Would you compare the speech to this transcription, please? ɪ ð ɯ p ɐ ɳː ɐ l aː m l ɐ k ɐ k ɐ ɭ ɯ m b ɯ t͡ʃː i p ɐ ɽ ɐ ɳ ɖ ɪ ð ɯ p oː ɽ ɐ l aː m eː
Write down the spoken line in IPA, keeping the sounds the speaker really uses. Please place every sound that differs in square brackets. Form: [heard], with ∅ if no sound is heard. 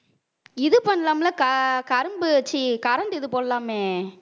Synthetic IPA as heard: ɪ ð ɯ p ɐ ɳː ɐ l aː m l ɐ k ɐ k ɐ [ɾ] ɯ m b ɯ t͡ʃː i [k] ɐ [ɾ] ɐ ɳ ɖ ɪ ð ɯ p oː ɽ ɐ l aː m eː